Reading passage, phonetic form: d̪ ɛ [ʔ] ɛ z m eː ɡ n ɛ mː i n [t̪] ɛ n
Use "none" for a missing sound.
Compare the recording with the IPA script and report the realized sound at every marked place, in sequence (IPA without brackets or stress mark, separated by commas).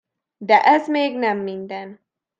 ʔ, d̪